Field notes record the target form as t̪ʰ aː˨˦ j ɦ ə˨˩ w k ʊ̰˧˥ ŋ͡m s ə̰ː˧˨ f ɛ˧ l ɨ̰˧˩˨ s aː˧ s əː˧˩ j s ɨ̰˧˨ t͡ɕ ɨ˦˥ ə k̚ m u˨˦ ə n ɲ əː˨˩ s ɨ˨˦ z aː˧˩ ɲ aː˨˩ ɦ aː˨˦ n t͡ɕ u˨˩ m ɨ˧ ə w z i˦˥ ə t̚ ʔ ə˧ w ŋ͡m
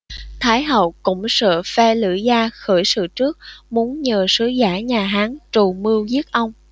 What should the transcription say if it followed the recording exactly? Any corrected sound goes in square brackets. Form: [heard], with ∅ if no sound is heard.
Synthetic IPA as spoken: t̪ʰ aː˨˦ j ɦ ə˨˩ w k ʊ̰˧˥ ŋ͡m s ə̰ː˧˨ f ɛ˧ l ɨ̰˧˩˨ [z] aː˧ [x] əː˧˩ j s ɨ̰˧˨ t͡ɕ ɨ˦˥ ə k̚ m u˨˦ ə n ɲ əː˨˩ s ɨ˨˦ z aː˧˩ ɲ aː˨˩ ɦ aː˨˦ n t͡ɕ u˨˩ m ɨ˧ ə w z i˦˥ ə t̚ ʔ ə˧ w ŋ͡m